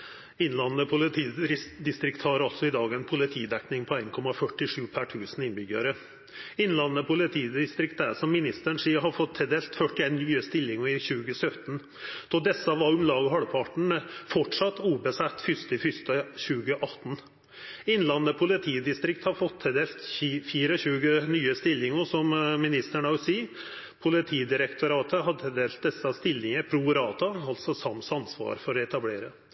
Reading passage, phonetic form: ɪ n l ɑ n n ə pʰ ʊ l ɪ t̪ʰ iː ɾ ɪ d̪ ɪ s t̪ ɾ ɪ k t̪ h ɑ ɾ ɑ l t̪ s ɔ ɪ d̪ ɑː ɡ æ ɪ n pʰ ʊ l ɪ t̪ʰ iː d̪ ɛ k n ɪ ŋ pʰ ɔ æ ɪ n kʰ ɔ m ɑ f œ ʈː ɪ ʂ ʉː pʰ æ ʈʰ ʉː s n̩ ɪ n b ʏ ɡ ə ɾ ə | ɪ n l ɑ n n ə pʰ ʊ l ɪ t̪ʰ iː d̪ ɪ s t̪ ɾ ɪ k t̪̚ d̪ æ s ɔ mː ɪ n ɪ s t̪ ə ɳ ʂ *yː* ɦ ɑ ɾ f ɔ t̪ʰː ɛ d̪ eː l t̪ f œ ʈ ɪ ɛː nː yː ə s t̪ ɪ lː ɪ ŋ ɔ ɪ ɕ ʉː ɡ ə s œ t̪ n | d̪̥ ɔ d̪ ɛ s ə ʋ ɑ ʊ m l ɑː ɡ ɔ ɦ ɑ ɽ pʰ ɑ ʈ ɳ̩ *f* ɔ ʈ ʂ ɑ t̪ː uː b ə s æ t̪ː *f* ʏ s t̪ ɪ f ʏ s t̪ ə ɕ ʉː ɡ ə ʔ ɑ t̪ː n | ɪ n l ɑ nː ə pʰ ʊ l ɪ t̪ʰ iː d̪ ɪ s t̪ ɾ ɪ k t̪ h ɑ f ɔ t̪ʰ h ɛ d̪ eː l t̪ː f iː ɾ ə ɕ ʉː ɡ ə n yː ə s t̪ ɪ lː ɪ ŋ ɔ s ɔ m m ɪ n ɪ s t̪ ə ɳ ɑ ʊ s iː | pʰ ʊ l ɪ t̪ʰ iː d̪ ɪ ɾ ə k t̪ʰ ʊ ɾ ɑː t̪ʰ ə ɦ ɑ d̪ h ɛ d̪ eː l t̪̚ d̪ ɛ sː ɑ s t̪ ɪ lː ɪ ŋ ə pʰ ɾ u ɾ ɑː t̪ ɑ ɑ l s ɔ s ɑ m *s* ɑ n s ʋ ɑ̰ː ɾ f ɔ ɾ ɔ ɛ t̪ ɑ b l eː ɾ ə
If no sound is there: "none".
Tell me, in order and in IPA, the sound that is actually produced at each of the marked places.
iː, f, f, s

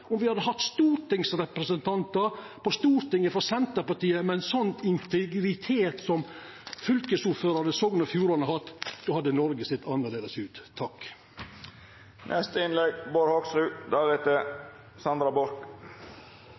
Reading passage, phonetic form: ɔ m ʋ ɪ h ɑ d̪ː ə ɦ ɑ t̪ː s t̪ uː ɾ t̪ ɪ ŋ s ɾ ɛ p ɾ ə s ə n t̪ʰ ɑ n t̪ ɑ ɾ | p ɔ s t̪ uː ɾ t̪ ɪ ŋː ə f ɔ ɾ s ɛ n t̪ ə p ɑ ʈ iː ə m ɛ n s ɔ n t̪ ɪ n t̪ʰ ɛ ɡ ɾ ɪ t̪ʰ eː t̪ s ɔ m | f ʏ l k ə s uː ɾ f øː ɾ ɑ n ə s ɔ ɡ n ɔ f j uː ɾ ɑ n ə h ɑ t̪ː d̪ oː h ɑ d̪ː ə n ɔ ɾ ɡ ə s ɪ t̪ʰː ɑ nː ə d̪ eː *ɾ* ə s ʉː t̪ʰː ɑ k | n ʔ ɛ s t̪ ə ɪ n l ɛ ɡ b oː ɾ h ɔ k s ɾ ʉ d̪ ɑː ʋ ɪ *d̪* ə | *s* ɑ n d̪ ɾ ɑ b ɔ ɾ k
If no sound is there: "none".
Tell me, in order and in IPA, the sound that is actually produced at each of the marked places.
l, t̪, s

